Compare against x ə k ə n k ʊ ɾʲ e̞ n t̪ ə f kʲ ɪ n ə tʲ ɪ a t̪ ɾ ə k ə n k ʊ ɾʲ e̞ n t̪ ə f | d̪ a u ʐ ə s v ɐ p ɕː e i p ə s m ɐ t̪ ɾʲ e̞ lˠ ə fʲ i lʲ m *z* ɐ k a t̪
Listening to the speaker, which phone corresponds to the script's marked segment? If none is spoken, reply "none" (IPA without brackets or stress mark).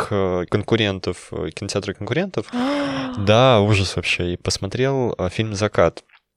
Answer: z